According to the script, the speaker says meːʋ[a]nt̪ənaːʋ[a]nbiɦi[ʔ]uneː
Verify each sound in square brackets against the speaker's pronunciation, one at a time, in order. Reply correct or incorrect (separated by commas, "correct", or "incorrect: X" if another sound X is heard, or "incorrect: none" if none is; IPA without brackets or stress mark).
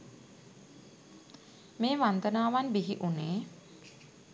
correct, correct, correct